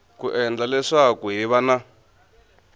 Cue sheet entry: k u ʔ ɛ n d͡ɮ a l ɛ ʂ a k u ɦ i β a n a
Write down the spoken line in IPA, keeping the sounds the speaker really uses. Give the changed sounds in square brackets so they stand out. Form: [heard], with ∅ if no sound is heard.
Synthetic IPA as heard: k u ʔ ɛ n d͡ɮ a l ɛ ʂ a k u ɦ i β a n a